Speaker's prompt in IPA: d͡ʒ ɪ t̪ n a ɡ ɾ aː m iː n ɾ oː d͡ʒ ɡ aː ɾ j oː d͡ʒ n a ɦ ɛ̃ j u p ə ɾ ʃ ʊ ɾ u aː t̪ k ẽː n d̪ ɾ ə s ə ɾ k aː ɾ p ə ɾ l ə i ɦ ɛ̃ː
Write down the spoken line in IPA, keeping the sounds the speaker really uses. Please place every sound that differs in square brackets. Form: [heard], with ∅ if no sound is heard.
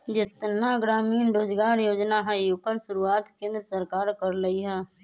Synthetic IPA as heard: d͡ʒ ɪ t̪ n a ɡ ɾ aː m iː n ɾ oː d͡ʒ ɡ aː ɾ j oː d͡ʒ n a ɦ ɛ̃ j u p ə ɾ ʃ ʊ ɾ u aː t̪ k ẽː n d̪ ɾ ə s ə ɾ k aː ɾ [k] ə ɾ l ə i ɦ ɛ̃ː